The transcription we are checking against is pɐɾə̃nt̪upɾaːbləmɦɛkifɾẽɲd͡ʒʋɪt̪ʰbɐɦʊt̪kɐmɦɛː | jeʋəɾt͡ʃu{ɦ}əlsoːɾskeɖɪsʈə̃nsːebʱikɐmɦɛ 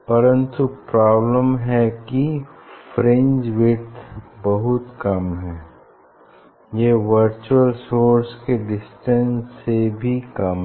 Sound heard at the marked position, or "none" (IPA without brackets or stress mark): none